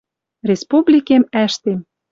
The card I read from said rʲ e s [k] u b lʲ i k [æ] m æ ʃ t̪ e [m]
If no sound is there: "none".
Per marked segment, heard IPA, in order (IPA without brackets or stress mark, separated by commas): p, e, m